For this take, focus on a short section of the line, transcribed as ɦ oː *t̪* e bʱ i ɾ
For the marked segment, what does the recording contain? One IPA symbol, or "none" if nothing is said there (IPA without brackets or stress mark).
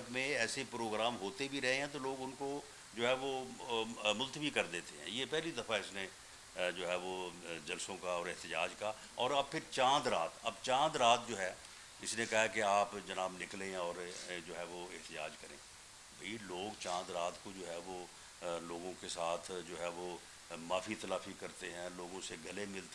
t̪